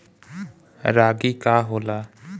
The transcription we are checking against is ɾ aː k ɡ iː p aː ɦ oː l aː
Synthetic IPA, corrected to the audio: ɾ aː ɡ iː k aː ɦ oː l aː